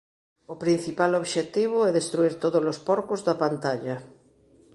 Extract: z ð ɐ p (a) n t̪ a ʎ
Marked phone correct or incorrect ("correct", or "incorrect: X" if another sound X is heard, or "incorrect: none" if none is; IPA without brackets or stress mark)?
correct